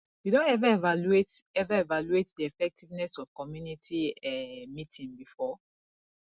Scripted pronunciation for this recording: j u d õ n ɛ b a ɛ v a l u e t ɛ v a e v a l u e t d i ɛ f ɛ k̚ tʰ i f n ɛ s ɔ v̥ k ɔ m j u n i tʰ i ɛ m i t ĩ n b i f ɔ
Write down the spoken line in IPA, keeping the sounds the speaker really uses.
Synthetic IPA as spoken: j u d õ n ɛ v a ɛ v a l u e t ɛ v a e v a l u e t d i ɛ f ɛ k̚ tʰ i v n ɛ s ɔ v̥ k ɔ m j u n i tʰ i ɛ m i t ĩ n b i f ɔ